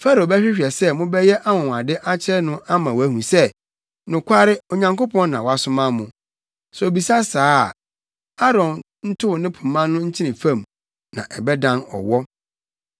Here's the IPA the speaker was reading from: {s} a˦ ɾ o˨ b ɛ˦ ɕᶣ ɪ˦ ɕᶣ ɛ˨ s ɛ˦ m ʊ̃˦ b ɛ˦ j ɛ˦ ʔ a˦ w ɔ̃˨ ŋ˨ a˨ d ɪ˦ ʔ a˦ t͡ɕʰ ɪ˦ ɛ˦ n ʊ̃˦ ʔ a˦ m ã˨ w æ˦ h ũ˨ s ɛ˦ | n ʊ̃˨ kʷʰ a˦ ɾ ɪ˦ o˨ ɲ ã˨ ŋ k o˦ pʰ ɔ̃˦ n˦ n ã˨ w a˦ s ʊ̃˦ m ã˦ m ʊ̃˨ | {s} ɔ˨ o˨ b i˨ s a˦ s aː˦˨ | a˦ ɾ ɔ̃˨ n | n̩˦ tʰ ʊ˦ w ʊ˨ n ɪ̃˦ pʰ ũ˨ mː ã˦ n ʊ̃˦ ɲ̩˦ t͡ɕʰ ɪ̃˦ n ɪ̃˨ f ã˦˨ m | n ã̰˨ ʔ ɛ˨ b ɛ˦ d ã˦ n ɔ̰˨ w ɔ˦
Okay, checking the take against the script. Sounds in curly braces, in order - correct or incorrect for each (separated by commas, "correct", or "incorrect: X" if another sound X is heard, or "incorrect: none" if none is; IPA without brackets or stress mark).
incorrect: f, correct